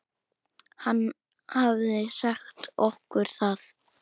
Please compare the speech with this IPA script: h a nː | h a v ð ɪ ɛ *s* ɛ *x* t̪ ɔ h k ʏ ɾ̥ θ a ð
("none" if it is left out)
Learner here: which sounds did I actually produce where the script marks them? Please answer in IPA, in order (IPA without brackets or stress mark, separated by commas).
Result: s, x